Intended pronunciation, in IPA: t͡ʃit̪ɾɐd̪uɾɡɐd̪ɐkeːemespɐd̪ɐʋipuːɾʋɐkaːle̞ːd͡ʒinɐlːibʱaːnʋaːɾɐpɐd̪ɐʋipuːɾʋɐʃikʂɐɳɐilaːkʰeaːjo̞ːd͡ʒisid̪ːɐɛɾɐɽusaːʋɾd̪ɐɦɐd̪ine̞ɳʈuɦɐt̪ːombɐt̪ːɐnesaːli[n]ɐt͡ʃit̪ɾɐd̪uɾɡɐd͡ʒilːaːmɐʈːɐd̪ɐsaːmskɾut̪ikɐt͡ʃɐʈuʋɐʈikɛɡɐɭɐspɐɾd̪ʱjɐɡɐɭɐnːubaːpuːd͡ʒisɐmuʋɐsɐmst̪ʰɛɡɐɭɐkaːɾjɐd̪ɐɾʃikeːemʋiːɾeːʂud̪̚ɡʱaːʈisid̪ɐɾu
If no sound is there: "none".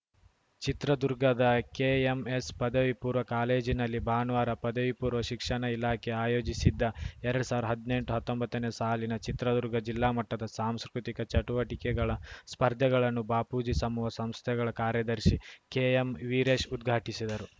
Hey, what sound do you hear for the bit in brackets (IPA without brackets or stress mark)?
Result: n